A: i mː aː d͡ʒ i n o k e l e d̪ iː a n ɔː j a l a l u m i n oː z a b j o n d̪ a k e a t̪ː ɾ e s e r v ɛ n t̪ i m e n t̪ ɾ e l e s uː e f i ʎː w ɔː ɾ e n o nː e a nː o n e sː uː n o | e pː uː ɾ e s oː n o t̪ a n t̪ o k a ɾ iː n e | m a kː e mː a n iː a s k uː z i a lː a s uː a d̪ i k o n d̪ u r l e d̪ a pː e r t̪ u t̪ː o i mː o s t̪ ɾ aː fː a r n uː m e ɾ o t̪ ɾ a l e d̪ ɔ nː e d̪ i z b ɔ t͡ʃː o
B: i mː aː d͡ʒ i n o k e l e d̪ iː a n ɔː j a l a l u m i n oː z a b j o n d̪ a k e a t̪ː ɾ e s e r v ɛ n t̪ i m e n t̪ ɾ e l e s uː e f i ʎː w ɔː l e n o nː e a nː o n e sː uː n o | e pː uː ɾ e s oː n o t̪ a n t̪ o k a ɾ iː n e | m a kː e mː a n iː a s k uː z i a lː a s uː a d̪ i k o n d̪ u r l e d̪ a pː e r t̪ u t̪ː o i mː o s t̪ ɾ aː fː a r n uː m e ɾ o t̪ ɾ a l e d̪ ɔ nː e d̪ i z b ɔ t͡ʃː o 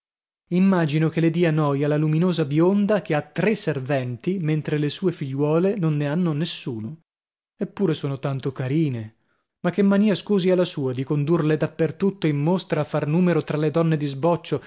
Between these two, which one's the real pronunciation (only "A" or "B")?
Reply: B